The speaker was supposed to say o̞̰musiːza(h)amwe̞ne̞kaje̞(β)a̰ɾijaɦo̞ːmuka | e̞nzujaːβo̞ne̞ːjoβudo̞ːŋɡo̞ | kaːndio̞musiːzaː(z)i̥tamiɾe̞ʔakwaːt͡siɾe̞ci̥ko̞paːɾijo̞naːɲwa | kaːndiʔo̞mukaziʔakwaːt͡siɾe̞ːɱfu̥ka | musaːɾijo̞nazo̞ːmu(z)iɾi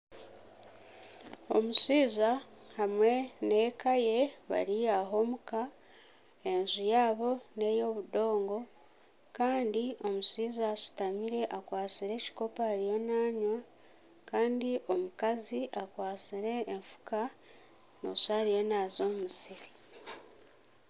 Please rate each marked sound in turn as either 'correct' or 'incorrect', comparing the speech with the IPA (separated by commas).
correct, correct, incorrect, incorrect